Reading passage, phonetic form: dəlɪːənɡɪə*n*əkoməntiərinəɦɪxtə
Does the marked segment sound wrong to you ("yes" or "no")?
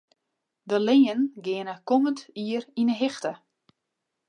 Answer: no